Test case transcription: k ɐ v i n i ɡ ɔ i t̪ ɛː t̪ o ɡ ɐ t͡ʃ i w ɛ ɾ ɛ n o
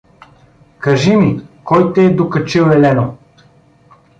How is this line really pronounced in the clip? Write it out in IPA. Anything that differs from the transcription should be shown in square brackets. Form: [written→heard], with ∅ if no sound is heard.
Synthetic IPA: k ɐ [v→ʒ] i [n→m] i [ɡ→k] ɔ [i→j] t̪ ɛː [t̪→d̪] o [ɡ→k] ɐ t͡ʃ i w ɛ [ɾ→l] ɛ n o